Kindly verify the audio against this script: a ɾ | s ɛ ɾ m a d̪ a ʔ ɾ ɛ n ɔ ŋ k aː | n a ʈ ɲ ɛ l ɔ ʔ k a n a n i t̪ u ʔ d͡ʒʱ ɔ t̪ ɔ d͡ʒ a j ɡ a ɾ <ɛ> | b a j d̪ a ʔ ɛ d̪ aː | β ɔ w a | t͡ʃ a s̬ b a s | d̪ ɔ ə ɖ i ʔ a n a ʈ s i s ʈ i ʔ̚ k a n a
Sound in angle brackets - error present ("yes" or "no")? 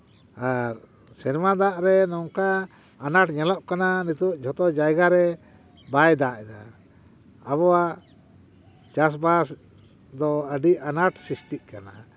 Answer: no